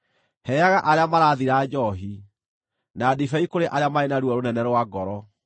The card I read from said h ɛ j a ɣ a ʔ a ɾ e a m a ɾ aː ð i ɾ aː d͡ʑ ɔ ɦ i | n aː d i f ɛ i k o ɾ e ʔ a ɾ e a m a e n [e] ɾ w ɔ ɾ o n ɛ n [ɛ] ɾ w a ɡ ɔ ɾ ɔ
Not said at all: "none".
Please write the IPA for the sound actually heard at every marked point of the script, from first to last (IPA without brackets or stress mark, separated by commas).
a, ɛ